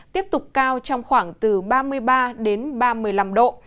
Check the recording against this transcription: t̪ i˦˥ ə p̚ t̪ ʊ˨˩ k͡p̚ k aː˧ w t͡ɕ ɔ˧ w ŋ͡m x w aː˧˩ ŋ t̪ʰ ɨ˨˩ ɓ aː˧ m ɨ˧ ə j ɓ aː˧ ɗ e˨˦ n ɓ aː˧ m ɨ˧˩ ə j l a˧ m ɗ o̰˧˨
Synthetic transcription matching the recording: t̪ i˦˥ ə p̚ t̪ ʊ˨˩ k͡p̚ k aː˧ w t͡ɕ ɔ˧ w ŋ͡m x w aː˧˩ ŋ t̪ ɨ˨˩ ɓ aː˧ m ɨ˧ ə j ɓ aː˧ ɗ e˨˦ n ɓ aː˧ m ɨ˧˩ ə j l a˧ m ɗ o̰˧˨